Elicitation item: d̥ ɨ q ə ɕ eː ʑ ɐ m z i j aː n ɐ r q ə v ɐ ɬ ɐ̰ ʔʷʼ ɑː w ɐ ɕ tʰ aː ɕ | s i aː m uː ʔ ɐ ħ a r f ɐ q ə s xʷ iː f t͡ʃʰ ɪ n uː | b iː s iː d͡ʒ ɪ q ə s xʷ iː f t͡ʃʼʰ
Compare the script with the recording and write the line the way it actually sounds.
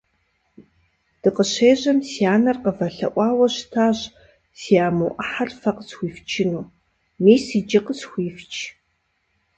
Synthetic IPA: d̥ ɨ q ə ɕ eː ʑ ɐ m s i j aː n ɐ r q ə v ɐ ɬ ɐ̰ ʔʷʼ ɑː w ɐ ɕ tʰ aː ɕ | s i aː m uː ʔ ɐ ħ a r f ɐ q ə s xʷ iː f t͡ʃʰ ɪ n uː | m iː s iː d͡ʒ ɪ q ə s xʷ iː f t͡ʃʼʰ

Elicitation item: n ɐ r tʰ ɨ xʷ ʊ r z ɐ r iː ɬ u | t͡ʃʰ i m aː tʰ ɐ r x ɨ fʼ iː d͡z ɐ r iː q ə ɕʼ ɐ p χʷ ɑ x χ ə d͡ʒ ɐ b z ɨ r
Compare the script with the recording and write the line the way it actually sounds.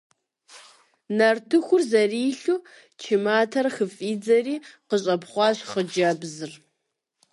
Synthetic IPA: n ɐ r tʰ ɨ xʷ ʊ r z ɐ r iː ɬ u | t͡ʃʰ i m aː tʰ ɐ r x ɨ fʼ iː d͡z ɐ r iː q ə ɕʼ ɐ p χʷ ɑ ɕ χ ə d͡ʒ ɐ b z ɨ r

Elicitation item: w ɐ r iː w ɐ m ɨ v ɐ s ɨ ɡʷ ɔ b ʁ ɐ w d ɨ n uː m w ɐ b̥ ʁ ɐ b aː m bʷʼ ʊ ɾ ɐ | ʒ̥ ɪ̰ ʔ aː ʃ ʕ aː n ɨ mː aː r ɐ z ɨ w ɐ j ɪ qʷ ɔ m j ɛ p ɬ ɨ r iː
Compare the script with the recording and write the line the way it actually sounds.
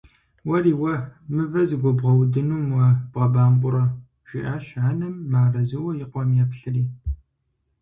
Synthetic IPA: w ɐ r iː w ɐ m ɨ v ɐ z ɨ ɡʷ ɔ b ʁ ɐ w d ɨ n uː m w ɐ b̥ ʁ ɐ b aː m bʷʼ ʊ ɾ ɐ | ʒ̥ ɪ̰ ʔ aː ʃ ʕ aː n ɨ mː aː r ɐ z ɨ w ɐ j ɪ qʷ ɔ m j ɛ p ɬ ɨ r iː

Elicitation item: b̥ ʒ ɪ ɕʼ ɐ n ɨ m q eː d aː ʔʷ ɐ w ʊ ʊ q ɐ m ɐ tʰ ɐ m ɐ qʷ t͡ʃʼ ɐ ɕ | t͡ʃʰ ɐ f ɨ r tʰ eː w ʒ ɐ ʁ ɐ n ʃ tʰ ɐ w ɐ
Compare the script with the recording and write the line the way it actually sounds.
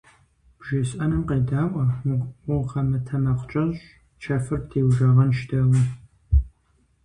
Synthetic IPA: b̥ ʒ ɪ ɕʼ ɐ n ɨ m q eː d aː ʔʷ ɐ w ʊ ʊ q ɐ m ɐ tʰ ɐ m ɐ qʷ t͡ʃʼ ɐ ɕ | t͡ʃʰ ɐ f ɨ r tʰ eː w ʒ ɐ ʁ ɐ n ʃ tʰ ɐ w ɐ

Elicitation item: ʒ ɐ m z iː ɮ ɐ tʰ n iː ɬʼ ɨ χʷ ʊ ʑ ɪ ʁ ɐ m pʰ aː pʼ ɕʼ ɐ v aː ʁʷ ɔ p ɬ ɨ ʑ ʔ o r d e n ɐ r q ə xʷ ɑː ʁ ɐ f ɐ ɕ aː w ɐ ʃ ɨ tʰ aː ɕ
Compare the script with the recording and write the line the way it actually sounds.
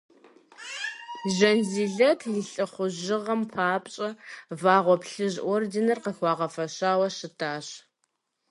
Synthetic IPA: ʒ ɐ n z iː ɮ ɐ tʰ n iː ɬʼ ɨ χʷ ʊ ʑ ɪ ʁ ɐ m pʰ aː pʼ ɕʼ ɐ v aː ʁʷ ɔ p ɬ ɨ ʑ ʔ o r d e n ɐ r q ə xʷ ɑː ʁ ɐ f ɐ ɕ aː w ɐ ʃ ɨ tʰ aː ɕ

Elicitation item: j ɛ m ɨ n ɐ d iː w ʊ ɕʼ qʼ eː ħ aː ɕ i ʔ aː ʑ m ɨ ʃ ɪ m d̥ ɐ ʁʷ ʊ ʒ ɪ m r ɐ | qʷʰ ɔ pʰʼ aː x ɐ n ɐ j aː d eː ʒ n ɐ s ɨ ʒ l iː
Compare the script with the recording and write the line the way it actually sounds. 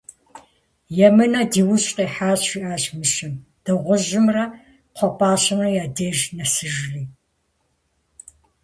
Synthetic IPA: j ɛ m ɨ n ɐ d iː w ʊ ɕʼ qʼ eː ħ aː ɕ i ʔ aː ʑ m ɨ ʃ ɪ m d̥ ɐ ʁʷ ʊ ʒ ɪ m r ɐ | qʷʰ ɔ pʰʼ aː ɕ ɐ n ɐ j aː d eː ʒ n ɐ s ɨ ʒ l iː

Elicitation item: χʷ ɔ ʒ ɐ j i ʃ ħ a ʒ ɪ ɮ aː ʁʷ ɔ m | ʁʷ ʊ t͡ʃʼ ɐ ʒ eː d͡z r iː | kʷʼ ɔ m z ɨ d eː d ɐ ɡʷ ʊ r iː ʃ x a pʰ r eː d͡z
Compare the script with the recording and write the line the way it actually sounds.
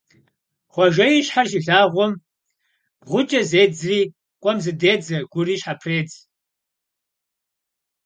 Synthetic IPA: χʷ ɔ ʒ ɐ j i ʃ ħ a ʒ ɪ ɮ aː ʁʷ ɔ m | ʁʷ ʊ t͡ʃʼ ɐ z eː d͡z r iː | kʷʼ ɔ m z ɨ d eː d͡z ɐ ɡʷ ʊ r iː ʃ ħ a pʰ r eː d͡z

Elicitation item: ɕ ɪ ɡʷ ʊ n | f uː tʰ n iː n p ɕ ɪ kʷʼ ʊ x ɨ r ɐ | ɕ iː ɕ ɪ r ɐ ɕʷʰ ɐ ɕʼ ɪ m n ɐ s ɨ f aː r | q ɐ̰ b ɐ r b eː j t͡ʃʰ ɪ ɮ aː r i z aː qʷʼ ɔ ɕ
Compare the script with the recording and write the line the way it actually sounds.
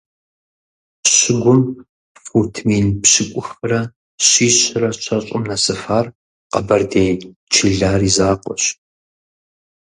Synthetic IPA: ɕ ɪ ɡʷ ʊ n | f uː tʰ m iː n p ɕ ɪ kʷʼ ʊ x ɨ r ɐ | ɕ iː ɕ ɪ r ɐ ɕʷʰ ɐ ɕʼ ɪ m n ɐ s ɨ f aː r | q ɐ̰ b ɐ r d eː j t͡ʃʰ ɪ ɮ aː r i z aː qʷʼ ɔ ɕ

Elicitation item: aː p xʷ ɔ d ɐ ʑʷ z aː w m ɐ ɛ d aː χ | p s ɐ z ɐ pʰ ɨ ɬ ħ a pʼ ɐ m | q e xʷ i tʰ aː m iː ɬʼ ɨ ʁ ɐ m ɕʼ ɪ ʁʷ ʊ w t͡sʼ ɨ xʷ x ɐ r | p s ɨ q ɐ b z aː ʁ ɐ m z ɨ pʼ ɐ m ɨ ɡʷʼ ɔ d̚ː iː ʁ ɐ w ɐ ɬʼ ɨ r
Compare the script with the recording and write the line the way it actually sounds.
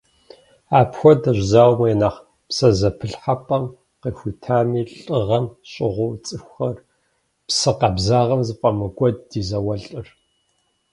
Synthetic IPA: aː p xʷ ɔ d ɐ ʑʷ z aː w m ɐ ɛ n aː χ | p s ɐ z ɐ pʰ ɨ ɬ ħ a pʼ ɐ m | q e xʷ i tʰ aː m iː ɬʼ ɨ ʁ ɐ m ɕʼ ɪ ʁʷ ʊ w t͡sʼ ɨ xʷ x ɐ r | p s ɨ q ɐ b z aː ʁ ɐ m z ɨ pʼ ɐ m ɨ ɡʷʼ ɔ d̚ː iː z ɐ w ɐ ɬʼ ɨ r

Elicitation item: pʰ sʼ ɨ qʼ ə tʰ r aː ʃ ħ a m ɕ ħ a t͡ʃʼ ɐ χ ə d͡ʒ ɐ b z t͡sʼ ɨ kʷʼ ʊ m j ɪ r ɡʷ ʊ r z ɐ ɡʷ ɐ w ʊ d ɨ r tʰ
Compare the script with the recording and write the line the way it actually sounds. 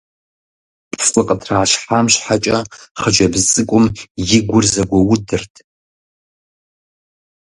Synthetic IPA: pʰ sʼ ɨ qʼ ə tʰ r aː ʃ ħ a m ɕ ħ a t͡ʃʼ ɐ χ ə d͡ʒ ɐ b z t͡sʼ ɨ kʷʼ ʊ m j ɪ ɡʷ ʊ r z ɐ ɡʷ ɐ w ʊ d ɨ r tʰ

